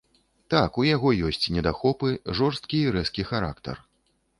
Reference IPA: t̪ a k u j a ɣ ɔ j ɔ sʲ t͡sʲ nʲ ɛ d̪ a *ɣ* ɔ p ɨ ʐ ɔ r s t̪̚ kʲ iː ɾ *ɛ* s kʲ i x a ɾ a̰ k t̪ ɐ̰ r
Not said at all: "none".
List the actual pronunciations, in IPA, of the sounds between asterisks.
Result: x, ɛ

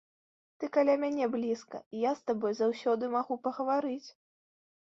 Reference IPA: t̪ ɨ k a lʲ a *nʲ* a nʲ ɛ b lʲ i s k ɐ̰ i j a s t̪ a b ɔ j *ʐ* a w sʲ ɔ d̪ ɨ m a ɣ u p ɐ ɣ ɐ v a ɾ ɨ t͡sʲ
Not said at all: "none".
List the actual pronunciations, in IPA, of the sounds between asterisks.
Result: mʲ, z

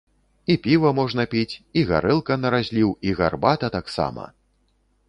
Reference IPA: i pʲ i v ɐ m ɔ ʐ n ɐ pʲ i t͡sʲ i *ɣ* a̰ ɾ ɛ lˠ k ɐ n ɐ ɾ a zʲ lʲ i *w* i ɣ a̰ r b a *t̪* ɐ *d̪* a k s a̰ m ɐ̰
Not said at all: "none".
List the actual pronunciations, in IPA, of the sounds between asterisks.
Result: ɣ, w, t̪, t̪

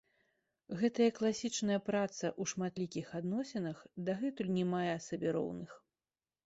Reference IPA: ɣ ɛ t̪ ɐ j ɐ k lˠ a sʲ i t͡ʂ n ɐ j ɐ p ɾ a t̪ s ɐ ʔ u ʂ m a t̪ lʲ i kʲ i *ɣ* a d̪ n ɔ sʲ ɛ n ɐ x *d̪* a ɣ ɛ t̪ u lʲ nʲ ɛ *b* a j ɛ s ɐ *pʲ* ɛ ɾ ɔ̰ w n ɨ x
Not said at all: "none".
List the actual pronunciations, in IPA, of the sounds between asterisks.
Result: x, d̪, m, bʲ

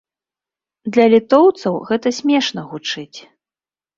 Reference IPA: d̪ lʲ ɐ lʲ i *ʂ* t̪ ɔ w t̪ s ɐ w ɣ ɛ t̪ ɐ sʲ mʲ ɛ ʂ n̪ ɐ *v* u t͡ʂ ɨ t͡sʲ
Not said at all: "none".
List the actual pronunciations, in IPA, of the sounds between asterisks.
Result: none, ɣ

